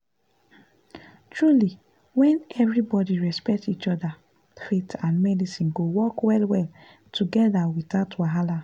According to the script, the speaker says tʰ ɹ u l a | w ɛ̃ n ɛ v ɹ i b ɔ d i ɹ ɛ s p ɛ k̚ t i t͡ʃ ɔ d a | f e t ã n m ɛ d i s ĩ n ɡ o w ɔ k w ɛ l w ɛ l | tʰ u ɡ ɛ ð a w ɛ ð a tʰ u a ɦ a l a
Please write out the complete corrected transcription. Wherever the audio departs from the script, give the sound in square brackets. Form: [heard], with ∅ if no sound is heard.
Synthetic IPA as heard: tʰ ɹ u l [i] | w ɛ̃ n ɛ v ɹ i b ɔ d i ɹ ɛ s p ɛ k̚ t i t͡ʃ ɔ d a | f e t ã n m ɛ d i s ĩ n ɡ o w ɔ k w ɛ l w ɛ l | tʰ u ɡ ɛ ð a w [i] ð a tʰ [w] a ɦ a l a